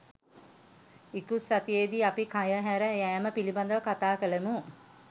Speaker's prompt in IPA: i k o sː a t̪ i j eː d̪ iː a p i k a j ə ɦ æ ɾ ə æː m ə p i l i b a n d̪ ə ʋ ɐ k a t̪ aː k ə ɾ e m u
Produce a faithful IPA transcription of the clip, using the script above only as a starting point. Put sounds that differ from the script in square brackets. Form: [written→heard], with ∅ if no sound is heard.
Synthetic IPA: i k [o→u] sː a t̪ i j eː d̪ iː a p i k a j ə ɦ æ ɾ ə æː m ə p i l i b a n d̪ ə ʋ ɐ k a t̪ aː k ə [ɾ→l] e m u